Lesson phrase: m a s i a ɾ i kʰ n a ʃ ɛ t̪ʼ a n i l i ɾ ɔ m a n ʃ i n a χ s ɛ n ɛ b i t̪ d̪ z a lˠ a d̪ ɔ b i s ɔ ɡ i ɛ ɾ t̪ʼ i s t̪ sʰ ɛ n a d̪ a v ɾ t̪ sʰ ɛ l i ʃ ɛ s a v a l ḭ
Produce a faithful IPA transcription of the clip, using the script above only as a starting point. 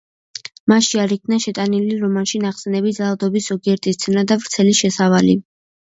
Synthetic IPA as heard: m a ʃ i a ɾ i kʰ n a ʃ ɛ t̪ʼ a n i l i ɾ ɔ m a n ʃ i n a χ s ɛ n ɛ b i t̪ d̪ z a lˠ a d̪ ɔ b i s ɔ ɡ i ɛ ɾ t̪ʼ i s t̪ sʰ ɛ n a d̪ a v ɾ t̪ sʰ ɛ l i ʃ ɛ s a v a l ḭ